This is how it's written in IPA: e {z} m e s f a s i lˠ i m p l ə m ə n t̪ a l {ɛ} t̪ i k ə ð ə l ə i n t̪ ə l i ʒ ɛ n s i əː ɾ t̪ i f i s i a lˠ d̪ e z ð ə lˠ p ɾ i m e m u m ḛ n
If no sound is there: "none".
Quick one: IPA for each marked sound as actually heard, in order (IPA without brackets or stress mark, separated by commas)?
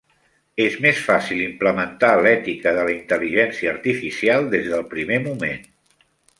z, ɛ